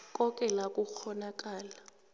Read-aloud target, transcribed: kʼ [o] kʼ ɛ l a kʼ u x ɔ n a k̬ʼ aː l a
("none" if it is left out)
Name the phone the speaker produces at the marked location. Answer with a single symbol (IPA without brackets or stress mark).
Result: ɔ